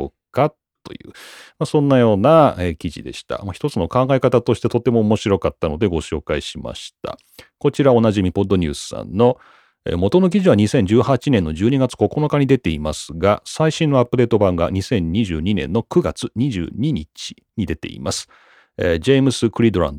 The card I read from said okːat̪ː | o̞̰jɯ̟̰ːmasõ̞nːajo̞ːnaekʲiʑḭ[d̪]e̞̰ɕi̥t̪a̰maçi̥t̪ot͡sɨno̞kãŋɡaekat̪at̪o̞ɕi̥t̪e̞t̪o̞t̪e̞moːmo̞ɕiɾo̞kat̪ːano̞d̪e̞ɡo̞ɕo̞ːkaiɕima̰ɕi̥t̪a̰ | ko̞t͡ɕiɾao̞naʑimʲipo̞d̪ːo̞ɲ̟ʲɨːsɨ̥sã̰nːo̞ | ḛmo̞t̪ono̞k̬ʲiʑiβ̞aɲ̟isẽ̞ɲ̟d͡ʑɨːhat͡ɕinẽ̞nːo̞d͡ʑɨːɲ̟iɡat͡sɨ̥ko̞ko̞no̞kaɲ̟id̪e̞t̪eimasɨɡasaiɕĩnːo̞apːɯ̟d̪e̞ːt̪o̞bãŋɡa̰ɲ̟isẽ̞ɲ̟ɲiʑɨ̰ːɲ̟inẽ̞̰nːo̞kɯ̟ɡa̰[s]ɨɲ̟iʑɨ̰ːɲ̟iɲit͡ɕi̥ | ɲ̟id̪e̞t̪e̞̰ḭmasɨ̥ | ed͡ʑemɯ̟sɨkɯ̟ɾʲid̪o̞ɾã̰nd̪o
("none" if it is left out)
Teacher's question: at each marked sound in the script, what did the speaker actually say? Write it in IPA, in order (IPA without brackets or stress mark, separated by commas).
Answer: d̪, t͡s